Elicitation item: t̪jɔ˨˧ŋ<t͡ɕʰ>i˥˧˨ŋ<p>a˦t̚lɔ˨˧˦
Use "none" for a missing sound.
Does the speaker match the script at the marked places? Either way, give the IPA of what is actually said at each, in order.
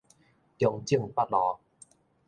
t͡ɕ, p

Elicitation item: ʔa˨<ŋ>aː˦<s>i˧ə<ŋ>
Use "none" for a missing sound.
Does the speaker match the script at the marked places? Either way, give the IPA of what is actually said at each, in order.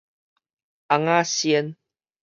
ŋ, s, n

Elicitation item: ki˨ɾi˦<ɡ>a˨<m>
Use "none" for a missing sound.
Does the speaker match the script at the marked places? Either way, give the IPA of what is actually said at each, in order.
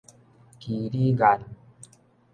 ɡ, n

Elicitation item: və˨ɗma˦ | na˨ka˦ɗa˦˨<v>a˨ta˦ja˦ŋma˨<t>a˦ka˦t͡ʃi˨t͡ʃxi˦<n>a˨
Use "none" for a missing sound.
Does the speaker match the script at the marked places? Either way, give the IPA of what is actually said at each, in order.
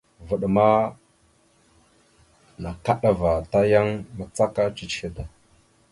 v, t͡s, d

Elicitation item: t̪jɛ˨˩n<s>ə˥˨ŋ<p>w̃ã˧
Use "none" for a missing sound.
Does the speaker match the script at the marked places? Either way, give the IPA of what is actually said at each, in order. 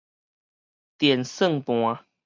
s, p

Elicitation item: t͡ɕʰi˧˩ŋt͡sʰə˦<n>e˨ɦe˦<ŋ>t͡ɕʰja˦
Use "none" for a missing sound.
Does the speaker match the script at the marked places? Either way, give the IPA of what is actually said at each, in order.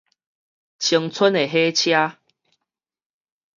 n, none

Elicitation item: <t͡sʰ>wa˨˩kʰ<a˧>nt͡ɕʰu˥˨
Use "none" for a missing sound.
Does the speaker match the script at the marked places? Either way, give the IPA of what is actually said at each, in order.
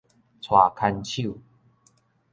t͡sʰ, a˧

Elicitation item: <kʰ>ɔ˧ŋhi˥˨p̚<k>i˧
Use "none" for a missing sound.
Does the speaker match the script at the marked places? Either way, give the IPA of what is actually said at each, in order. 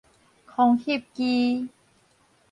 kʰ, k

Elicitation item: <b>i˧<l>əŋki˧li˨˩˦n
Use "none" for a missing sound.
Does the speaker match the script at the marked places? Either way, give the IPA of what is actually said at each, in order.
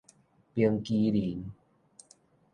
p, none

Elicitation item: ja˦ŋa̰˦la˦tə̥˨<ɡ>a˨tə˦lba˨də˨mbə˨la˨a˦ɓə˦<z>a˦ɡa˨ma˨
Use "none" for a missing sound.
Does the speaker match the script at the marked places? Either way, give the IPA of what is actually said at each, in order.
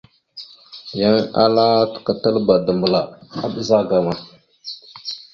k, z

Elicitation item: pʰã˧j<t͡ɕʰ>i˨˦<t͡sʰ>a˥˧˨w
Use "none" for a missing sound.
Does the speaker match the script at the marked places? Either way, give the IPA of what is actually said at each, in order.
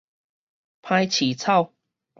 t͡ɕʰ, t͡sʰ

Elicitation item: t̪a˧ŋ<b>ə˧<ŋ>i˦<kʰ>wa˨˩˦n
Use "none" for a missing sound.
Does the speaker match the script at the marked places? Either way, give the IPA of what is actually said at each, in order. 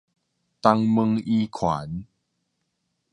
m, ŋ, kʰ

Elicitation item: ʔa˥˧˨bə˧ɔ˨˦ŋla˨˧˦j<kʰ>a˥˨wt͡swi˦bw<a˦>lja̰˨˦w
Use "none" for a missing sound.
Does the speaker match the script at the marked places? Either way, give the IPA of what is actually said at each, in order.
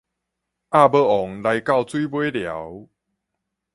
k, e˦

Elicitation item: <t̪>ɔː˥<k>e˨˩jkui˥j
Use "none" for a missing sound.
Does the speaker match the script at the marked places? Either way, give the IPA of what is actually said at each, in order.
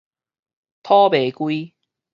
t̪ʰ, p

